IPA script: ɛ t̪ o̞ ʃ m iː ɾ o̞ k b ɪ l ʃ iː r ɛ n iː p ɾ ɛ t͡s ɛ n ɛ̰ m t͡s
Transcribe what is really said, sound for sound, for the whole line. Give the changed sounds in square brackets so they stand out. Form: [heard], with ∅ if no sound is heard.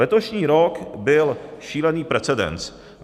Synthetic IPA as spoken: ɛ t̪ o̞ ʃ [ɲ] iː ɾ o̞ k b ɪ l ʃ iː [l] ɛ n iː p ɾ ɛ t͡s ɛ [d] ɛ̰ [n] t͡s